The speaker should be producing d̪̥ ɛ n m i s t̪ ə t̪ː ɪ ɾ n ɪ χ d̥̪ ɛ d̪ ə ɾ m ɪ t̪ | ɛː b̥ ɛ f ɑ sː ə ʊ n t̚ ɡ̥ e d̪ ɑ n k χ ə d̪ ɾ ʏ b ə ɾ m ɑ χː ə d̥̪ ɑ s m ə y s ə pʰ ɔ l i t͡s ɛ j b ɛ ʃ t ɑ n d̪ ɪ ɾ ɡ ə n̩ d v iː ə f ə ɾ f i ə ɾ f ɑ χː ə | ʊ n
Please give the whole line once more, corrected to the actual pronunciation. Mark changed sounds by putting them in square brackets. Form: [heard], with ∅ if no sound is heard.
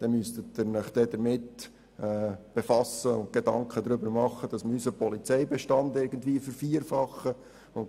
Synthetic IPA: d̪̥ ɛ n m [y] s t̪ ə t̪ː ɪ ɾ n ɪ χ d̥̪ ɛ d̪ ə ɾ m ɪ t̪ | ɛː b̥ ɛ f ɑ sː ə ʊ n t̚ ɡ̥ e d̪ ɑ [ŋ] k χ ə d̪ ɾ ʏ b ə ɾ m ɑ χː ə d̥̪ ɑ s m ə y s ə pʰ ɔ l i t͡s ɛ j b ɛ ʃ t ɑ n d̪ ɪ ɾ ɡ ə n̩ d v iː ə f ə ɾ f i ə ɾ f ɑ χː ə | ʊ n